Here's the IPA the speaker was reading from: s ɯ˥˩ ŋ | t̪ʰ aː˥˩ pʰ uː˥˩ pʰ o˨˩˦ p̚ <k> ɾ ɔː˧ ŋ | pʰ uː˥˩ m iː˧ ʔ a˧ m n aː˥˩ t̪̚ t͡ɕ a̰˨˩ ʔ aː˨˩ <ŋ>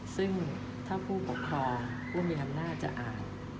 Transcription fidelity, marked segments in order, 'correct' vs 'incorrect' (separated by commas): incorrect, incorrect